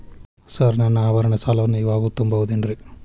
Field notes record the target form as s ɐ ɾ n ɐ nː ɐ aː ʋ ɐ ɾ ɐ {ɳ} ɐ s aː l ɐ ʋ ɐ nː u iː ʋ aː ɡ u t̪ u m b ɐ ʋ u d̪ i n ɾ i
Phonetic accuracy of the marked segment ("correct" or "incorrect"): correct